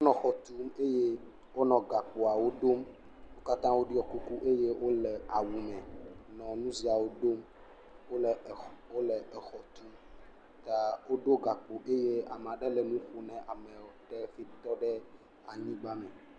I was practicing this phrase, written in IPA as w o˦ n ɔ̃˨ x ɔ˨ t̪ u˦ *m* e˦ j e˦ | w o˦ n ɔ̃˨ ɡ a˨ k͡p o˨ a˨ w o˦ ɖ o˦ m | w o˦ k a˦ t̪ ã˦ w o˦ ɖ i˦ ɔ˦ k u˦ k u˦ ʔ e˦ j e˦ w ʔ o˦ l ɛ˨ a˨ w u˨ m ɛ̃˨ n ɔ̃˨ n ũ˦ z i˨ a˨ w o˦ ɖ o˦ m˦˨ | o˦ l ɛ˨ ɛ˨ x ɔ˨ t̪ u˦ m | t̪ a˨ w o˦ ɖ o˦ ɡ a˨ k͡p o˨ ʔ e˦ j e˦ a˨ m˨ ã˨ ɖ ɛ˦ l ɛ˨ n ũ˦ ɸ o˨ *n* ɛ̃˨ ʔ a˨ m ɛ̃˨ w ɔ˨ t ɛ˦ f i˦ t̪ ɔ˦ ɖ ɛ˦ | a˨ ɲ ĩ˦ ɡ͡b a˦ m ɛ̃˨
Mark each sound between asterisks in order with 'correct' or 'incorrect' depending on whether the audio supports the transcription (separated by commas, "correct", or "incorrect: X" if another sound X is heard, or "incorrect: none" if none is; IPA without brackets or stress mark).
correct, correct